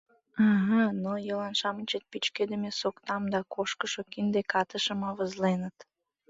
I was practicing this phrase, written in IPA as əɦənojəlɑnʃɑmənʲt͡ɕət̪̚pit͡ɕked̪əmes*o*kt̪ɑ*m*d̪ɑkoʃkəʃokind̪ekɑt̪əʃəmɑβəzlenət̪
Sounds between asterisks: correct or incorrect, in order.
correct, correct

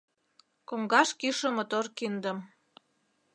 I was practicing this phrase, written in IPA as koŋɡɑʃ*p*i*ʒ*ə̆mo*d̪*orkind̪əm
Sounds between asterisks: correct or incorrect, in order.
incorrect: k, incorrect: ʃ, incorrect: t̪

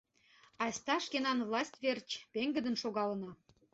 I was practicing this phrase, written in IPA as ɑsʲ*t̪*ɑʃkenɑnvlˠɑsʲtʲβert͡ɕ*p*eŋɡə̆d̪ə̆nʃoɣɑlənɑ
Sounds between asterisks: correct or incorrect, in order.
correct, correct

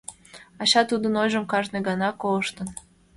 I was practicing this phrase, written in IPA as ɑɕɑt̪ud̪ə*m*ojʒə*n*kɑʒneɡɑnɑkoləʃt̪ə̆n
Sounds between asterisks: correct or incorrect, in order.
incorrect: n, incorrect: m

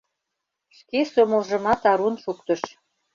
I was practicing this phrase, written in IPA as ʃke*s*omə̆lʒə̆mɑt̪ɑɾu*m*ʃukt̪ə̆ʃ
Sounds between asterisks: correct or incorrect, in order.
correct, incorrect: n

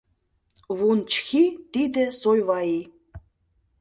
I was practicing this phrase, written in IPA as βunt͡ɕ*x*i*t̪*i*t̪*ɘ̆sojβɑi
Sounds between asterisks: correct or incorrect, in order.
correct, correct, incorrect: d̪

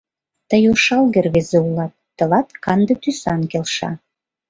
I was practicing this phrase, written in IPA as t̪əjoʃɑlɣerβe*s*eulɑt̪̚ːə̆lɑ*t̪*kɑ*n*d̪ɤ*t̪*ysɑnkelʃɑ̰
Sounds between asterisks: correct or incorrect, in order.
incorrect: z, correct, correct, correct

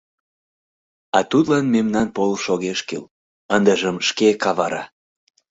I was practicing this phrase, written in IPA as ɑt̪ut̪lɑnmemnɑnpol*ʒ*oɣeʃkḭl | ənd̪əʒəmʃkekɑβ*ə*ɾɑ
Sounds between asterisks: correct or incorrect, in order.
incorrect: ʃ, incorrect: ɑ

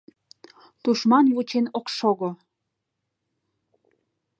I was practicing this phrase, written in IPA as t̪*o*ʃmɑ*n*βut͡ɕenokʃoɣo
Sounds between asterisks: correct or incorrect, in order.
incorrect: u, correct

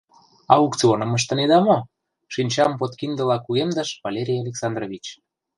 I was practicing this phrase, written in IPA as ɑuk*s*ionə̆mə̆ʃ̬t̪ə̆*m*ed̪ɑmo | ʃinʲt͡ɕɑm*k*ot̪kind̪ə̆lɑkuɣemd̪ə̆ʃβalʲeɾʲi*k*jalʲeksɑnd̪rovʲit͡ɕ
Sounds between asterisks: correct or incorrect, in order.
incorrect: t͡s, incorrect: n, incorrect: p, incorrect: none

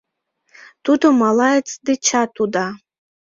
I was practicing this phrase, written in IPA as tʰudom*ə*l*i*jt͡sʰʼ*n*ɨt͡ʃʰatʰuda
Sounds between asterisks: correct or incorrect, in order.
incorrect: a, incorrect: a, incorrect: d

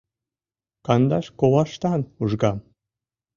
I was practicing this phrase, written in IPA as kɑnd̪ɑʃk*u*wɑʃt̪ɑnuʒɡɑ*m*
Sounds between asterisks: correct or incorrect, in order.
incorrect: o, correct

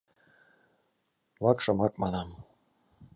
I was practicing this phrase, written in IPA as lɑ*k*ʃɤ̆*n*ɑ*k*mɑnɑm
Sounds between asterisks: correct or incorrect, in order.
correct, incorrect: m, correct

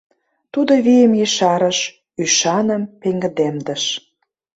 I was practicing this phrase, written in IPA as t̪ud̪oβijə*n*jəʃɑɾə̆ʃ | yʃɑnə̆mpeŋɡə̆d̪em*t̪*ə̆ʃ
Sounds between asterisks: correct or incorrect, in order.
incorrect: m, incorrect: d̪

